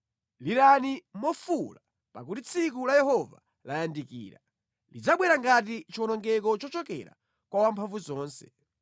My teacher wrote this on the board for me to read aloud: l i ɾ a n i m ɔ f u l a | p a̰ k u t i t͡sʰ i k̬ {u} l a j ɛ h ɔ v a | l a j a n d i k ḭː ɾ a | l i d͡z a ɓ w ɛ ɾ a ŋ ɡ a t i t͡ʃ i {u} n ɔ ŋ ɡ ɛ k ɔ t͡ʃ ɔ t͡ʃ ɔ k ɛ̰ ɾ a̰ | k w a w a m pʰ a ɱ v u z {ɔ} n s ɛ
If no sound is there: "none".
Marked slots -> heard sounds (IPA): u, ɔ, ɔː

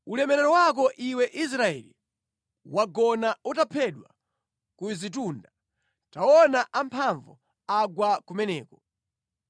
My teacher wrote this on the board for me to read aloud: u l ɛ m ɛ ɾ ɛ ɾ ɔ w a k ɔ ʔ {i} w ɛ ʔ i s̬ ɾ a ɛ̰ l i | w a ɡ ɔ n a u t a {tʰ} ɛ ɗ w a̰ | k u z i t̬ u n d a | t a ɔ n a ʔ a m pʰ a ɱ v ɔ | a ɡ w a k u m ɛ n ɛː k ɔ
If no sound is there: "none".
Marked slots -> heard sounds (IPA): i, pʰ

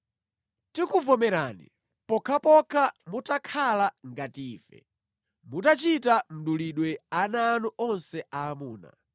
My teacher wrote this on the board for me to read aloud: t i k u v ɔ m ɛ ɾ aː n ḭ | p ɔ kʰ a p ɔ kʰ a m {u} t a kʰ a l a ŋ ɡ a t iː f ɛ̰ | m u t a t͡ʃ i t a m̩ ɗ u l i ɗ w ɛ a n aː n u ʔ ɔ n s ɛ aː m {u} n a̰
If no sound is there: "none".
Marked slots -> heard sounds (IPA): u, uː

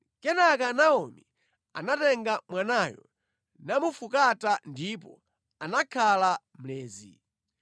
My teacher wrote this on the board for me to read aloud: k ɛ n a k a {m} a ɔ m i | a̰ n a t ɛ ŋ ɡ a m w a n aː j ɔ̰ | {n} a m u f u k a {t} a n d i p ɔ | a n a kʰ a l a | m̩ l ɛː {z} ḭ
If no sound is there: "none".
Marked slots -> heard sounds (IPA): n, n, t, z

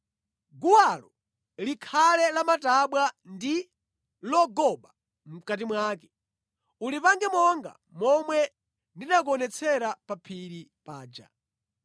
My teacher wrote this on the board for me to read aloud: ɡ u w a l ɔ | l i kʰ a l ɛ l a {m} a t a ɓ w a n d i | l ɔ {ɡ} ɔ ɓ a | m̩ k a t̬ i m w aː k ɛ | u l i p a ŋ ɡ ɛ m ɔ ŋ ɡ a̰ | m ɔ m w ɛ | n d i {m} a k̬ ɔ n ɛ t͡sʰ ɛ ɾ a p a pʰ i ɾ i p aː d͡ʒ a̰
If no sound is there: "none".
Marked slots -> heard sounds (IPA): m, ɡ, n

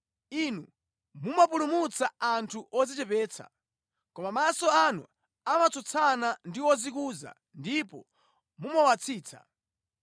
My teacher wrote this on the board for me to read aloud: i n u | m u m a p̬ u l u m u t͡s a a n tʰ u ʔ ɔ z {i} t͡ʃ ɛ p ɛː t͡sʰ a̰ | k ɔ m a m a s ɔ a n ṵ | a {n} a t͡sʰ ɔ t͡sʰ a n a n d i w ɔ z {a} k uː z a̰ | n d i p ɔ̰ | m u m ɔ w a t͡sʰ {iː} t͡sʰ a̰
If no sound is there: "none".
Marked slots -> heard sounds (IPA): i, m, i, iː

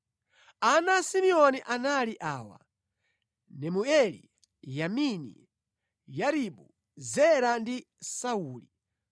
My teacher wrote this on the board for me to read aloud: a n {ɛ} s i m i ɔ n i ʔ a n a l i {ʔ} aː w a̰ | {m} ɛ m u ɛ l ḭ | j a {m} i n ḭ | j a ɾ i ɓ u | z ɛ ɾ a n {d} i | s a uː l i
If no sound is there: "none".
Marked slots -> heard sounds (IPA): a, ʔ, n, m, d

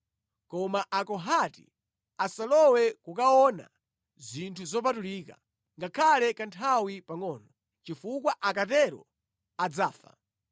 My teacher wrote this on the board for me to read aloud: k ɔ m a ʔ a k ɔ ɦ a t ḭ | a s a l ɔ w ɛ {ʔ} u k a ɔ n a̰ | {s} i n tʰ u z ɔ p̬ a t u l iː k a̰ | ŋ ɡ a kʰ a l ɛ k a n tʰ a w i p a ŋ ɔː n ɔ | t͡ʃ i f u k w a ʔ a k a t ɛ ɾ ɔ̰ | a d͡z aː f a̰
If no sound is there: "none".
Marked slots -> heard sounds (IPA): k, z

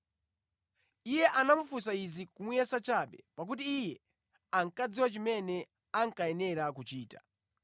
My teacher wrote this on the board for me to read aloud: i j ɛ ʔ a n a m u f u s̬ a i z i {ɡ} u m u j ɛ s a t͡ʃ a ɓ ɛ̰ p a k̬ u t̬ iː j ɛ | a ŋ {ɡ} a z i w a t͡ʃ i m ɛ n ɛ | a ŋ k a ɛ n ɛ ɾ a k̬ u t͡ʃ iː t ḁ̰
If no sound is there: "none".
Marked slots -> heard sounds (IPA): k, k

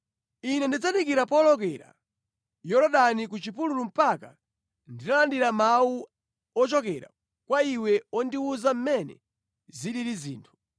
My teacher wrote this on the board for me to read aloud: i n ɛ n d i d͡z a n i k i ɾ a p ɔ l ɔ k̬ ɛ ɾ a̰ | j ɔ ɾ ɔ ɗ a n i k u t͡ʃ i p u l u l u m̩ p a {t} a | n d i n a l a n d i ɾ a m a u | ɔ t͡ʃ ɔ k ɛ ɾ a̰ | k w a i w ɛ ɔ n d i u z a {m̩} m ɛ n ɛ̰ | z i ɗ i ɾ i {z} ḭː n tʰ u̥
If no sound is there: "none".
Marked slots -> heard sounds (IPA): k, m̩, z

